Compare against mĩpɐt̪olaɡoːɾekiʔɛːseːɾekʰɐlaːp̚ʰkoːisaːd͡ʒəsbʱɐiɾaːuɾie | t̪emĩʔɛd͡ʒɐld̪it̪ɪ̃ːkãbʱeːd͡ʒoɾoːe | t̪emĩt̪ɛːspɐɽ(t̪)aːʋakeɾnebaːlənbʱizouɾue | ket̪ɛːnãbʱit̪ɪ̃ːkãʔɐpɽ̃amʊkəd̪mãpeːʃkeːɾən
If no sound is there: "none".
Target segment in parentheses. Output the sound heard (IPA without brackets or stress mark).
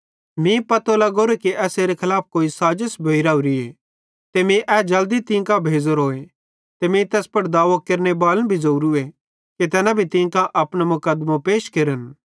d̪